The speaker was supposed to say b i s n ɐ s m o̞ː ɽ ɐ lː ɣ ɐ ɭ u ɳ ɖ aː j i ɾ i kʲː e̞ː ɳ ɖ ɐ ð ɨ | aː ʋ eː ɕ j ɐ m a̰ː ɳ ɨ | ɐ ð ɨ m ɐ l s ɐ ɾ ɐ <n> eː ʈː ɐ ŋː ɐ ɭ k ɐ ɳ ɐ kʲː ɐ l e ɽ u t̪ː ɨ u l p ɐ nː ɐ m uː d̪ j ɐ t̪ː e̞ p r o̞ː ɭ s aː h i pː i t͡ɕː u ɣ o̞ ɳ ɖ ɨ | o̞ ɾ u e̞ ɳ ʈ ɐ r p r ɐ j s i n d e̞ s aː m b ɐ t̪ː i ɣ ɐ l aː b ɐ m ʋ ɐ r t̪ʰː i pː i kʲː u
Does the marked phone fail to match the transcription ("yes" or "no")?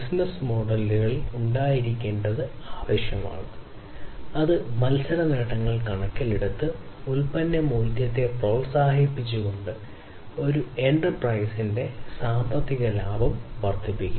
no